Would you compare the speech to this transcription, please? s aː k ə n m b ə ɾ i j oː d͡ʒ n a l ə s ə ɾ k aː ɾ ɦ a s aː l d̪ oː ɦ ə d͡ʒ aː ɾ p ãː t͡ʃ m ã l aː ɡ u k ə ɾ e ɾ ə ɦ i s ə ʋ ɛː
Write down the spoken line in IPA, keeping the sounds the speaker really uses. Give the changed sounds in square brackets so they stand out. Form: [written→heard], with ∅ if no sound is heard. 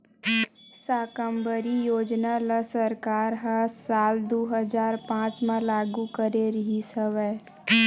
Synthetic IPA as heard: s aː k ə [n→∅] m b ə ɾ i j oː d͡ʒ n a l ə s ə ɾ k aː ɾ ɦ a s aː l d̪ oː ɦ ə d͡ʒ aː ɾ p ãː t͡ʃ m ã l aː ɡ u k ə ɾ e ɾ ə ɦ i s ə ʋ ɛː